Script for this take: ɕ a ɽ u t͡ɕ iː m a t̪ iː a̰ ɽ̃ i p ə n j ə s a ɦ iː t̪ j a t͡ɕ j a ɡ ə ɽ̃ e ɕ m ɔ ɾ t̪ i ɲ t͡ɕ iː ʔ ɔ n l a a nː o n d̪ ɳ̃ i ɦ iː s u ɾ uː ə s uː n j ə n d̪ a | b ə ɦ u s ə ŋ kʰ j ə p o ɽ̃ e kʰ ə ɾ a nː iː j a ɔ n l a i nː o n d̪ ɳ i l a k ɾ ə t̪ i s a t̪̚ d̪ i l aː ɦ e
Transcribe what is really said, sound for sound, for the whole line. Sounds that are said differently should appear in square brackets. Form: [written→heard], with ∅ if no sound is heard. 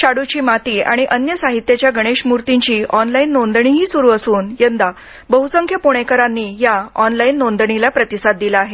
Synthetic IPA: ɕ a ɽ u t͡ɕ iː m a t̪ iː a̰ ɽ̃ i [p→ʔ] ə n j ə s a ɦ [iː→i] t̪ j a t͡ɕ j a ɡ ə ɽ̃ e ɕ m [ɔ→u] ɾ t̪ i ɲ t͡ɕ iː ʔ ɔ n l a [a→i] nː o n d̪ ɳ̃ i ɦ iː s u ɾ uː ə s uː n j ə n d̪ a | b ə ɦ u s ə ŋ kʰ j ə p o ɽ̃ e [kʰ→k] ə ɾ a nː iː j a ɔ n l a i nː o n d̪ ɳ i l a [k→p] ɾ ə t̪ i s a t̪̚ d̪ i l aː ɦ e